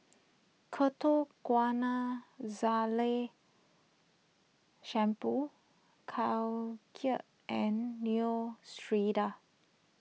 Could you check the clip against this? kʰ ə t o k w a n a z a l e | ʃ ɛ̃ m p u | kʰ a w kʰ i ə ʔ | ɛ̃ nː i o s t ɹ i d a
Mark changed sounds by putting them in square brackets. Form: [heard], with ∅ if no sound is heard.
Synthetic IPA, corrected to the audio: kʰ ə t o k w a n a z a l e | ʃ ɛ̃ m p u | kʰ a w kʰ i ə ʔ | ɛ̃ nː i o s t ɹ i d a